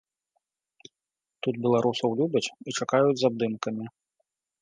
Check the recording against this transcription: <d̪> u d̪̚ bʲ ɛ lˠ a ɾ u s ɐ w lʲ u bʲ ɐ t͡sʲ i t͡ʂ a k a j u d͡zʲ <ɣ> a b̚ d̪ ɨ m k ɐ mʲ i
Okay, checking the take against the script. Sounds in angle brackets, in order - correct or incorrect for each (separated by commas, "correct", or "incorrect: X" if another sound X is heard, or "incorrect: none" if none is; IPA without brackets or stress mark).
incorrect: t̪, incorrect: z